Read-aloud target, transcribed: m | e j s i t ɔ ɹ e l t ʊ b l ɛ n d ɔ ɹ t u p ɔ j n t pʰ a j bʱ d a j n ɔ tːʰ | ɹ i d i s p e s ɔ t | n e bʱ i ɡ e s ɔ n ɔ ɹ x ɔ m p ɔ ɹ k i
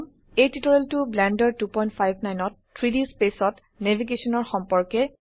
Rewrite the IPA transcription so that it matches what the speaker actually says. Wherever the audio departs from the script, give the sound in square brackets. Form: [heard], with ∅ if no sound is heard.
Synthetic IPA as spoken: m | e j [t] i t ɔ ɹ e l t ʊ b l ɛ n d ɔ ɹ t u p ɔ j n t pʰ a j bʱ [n] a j n ɔ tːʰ | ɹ i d i s p e s ɔ t | n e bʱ i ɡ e s ɔ n ɔ ɹ x ɔ m p ɔ ɹ k [ɛ]